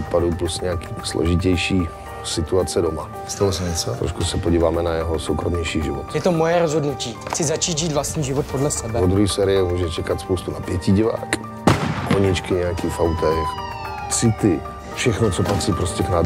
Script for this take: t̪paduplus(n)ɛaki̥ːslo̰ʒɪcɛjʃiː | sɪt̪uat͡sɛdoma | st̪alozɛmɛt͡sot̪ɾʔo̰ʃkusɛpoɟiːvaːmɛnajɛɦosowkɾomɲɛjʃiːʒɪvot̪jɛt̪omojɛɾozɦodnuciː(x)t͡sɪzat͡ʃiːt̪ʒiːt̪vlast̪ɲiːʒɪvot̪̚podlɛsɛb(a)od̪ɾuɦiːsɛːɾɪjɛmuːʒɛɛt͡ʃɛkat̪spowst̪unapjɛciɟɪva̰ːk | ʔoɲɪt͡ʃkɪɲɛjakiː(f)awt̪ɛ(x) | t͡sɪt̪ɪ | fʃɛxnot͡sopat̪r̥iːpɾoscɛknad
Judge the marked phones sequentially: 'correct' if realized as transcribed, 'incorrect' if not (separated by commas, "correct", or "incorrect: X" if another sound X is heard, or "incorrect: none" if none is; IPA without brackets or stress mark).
incorrect: ɲ, correct, incorrect: ɛ, correct, correct